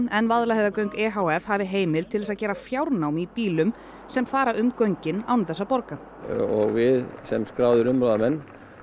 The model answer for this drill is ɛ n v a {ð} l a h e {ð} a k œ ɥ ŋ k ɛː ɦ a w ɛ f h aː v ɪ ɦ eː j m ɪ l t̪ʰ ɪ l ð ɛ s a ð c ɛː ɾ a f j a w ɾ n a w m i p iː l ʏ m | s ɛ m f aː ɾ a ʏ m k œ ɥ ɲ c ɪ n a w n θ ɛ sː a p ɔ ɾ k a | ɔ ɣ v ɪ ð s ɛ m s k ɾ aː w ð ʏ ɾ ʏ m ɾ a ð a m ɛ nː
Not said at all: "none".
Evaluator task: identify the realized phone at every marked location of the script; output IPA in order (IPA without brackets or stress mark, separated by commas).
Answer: ð, ð